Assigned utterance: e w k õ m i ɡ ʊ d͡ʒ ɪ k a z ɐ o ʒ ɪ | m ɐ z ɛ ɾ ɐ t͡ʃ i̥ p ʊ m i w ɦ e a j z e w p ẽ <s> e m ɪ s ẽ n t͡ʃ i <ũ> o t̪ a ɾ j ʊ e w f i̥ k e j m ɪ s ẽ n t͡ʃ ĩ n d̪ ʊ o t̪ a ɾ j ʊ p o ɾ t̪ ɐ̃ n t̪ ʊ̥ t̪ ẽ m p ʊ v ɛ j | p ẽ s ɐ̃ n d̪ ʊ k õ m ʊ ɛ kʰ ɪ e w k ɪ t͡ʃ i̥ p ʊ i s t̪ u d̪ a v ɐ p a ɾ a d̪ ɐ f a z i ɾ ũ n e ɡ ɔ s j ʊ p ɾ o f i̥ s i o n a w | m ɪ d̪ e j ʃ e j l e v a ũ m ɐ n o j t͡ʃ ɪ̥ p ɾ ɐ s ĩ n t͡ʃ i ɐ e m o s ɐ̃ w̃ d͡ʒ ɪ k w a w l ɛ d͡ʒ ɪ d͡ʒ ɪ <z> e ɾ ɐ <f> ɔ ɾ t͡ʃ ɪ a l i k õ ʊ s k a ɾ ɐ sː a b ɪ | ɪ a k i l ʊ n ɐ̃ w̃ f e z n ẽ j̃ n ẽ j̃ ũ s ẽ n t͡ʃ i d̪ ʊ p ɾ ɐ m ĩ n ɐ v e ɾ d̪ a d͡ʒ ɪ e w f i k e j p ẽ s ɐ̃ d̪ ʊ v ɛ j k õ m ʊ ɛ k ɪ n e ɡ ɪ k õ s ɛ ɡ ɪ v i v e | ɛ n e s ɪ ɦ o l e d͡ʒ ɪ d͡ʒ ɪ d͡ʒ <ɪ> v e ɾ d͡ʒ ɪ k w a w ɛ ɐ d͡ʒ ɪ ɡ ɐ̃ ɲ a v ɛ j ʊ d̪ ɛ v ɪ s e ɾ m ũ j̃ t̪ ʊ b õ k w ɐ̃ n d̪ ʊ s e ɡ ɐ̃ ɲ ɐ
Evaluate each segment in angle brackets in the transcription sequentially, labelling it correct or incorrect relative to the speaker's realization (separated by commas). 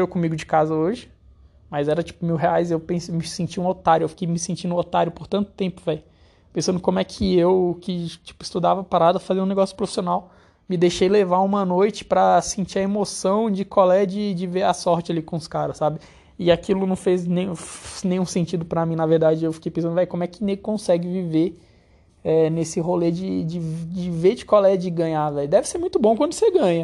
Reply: correct, correct, incorrect, incorrect, correct